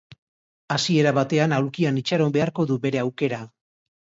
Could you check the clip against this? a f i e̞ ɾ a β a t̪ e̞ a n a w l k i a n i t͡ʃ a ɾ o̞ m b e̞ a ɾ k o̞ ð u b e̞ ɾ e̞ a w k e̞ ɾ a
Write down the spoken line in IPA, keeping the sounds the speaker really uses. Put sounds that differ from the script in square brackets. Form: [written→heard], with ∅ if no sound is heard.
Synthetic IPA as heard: a [f→s] i e̞ ɾ a β a t̪ e̞ a n a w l k i a n i t͡ʃ a ɾ o̞ m b e̞ a ɾ k o̞ ð u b e̞ ɾ e̞ a w k e̞ ɾ a

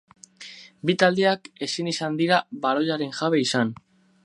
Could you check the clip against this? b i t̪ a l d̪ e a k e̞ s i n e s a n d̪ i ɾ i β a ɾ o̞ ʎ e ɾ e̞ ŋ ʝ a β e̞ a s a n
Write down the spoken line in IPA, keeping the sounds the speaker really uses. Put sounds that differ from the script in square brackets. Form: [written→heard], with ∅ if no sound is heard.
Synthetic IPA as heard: b i t̪ a l d̪ e a k e̞ s i n [e→i] s a n d̪ i ɾ [i→a] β a ɾ o̞ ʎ [e→a] ɾ e̞ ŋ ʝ a β e̞ [a→i] s a n

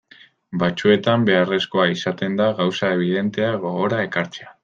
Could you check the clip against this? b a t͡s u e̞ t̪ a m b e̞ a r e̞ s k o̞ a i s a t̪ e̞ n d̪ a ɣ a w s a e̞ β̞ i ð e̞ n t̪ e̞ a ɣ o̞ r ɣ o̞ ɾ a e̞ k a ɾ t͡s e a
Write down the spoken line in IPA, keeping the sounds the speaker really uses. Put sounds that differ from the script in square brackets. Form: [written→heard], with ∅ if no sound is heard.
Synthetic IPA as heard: b a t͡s u e̞ t̪ a m b e̞ a r e̞ s k o̞ a i s a t̪ e̞ n d̪ a ɣ a w s a e̞ β̞ i ð e̞ n t̪ e̞ a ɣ o̞ [r→∅] ɣ o̞ ɾ a e̞ k a ɾ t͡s e a

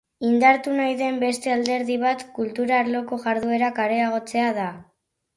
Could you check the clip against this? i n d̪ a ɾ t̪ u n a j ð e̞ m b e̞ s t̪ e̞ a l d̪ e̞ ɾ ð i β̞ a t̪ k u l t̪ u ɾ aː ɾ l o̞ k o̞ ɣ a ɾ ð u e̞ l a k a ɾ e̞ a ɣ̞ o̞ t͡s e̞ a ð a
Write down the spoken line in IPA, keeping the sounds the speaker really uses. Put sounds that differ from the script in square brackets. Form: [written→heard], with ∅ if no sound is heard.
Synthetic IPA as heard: i n d̪ a ɾ t̪ u n a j ð e̞ m b e̞ s t̪ e̞ a l d̪ e̞ ɾ ð i β̞ a t̪ k u l t̪ u ɾ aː ɾ l o̞ k o̞ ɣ a ɾ ð u e̞ [l→ɾ] a k a ɾ e̞ a ɣ̞ o̞ t͡s e̞ a ð a

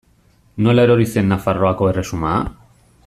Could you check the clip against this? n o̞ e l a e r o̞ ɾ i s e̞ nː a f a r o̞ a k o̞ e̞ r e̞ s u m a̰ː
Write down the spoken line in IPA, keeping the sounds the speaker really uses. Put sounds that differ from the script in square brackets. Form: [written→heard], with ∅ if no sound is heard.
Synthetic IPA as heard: n o̞ e l a e [r→ɾ] o̞ ɾ i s e̞ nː a f a r o̞ a k o̞ e̞ r e̞ s u m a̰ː

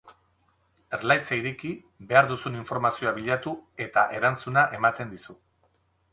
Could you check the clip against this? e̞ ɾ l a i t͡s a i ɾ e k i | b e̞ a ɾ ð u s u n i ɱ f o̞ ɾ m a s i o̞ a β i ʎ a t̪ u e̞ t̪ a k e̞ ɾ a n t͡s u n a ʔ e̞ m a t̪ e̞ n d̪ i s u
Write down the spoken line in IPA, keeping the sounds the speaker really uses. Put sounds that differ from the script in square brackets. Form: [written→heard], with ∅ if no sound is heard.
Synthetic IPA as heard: e̞ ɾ l a [i→j] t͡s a i ɾ e k i | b e̞ a ɾ ð u s u n i ɱ f o̞ ɾ m a s i o̞ a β i ʎ a t̪ u e̞ t̪ a [k→ʔ] e̞ ɾ a n t͡s u n a ʔ e̞ m a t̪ e̞ n d̪ i s u

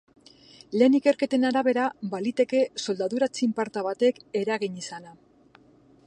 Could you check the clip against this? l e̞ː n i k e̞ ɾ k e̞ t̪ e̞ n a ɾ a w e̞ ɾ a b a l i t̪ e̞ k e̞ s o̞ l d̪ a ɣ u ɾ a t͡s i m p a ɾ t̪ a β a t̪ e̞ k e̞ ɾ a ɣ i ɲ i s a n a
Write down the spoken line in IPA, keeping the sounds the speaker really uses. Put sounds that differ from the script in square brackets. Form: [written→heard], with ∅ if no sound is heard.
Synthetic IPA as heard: l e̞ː n i k e̞ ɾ k e̞ t̪ e̞ n a ɾ a [w→β] e̞ ɾ a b a l i t̪ e̞ k e̞ s o̞ l d̪ a [ɣ→ð] u ɾ a t͡s i m p a ɾ t̪ a β a t̪ e̞ k e̞ ɾ a ɣ i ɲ i s a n a

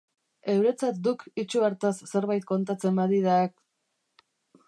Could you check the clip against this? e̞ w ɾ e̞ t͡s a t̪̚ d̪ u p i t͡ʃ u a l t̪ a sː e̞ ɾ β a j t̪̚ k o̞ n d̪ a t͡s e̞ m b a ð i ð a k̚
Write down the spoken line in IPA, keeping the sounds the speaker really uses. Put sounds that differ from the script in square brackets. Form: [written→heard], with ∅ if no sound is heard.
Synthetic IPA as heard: e̞ w ɾ e̞ t͡s a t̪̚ d̪ u [p→k] i t͡ʃ u a [l→ɾ] t̪ a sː e̞ ɾ β a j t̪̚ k o̞ n [d̪→t̪] a t͡s e̞ m b a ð i ð a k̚

